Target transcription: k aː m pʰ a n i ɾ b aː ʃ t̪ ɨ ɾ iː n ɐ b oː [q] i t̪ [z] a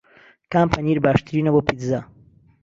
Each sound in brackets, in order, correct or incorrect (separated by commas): incorrect, correct